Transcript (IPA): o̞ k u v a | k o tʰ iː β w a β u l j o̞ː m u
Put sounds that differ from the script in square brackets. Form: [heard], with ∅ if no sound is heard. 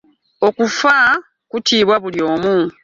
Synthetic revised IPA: o̞ k u [f] a | k [u] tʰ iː β w a β u l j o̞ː m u